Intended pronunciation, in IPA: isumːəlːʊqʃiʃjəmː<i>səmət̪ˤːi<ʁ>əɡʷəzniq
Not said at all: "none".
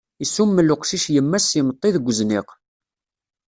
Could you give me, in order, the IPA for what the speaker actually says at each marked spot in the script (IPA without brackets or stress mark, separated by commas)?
æ, ð